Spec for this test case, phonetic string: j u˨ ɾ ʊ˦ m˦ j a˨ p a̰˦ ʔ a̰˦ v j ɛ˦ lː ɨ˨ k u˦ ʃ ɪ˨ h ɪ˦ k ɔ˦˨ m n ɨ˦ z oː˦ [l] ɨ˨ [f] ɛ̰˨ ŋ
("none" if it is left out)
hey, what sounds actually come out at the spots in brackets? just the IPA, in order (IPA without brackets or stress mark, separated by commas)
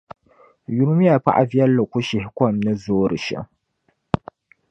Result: ɾ, ʃ